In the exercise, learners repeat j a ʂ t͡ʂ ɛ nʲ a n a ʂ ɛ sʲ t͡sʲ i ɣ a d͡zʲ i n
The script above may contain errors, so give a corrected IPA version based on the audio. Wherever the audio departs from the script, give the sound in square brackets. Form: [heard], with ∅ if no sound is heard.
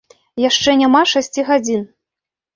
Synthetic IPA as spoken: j a ʂ t͡ʂ ɛ nʲ a [m] a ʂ [a] sʲ t͡sʲ i ɣ a d͡zʲ i n